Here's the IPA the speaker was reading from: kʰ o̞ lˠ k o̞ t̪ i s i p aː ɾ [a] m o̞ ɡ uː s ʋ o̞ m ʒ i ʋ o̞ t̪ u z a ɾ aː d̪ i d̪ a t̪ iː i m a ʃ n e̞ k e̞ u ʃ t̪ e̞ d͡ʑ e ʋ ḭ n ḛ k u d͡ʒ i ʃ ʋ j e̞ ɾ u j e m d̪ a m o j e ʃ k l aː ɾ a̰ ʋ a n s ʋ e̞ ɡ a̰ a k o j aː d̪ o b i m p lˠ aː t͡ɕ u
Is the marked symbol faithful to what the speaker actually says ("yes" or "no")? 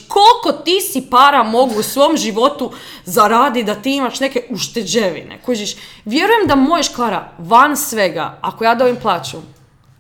yes